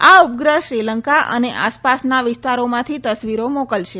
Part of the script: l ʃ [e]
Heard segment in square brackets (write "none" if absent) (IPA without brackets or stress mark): e